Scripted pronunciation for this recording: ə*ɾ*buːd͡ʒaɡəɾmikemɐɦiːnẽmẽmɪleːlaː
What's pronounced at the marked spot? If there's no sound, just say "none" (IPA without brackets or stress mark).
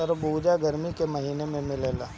ɾ